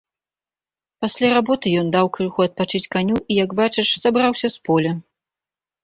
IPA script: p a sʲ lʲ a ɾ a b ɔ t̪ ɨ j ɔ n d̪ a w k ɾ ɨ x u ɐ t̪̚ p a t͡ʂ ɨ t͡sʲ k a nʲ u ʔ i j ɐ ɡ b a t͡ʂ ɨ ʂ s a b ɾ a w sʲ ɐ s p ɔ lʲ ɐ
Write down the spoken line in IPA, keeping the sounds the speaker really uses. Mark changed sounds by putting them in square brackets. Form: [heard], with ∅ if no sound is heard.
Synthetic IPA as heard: p a sʲ lʲ a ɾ a b ɔ t̪ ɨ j ɔ n d̪ a w k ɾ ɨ x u ɐ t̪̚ p a t͡ʂ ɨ t͡sʲ k a nʲ u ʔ i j ɐ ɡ b a t͡ʂ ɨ ʂ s a b ɾ a w sʲ ɐ s p ɔ lʲ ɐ